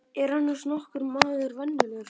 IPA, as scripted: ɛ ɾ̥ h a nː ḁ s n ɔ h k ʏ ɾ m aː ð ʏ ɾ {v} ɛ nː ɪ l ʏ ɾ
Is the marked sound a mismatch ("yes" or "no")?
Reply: no